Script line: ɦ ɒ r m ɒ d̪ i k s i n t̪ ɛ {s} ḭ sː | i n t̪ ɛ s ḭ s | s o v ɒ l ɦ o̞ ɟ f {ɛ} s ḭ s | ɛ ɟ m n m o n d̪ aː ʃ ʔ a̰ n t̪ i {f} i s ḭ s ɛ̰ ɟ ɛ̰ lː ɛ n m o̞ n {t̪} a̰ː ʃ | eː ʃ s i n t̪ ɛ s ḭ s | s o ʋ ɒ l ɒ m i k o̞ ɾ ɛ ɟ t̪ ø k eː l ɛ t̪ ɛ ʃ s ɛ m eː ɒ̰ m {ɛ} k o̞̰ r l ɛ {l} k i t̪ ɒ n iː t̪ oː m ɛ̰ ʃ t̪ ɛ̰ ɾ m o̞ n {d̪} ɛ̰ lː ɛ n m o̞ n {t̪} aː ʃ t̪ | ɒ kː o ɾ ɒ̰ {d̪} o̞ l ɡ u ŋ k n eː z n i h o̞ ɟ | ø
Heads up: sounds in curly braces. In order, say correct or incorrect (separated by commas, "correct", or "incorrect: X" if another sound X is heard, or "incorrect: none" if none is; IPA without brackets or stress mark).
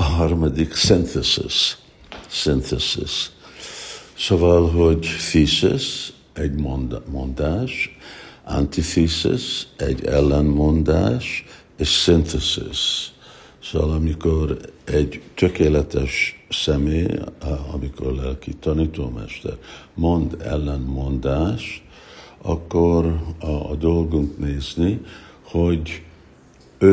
correct, incorrect: i, correct, incorrect: d̪, incorrect: i, correct, correct, incorrect: d̪, correct